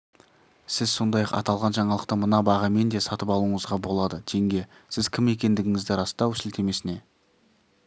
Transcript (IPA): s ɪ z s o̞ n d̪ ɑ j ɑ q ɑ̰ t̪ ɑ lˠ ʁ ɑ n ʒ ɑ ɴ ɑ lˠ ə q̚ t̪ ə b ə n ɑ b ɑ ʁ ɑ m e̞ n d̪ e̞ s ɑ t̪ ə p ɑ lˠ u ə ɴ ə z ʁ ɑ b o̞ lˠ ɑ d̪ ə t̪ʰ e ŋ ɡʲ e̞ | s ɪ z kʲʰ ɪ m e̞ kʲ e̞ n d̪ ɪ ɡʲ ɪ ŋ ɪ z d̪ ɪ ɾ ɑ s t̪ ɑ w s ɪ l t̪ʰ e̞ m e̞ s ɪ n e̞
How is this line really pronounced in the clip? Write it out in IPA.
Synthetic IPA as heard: s ɪ z s o̞ n d̪ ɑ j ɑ q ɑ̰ t̪ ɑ lˠ ʁ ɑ n ʒ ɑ ɴ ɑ lˠ ə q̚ t̪ ə m ə n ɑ b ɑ ʁ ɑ m e̞ n d̪ e̞ s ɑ t̪ ə p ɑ lˠ u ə ɴ ə z ʁ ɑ b o̞ lˠ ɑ d̪ ə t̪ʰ e ŋ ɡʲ e̞ | s ɪ z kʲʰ ɪ m e̞ kʲ e̞ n d̪ ɪ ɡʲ ɪ ŋ ɪ z d̪ ɪ ɾ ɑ s t̪ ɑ w s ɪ l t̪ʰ e̞ m e̞ s ɪ n e̞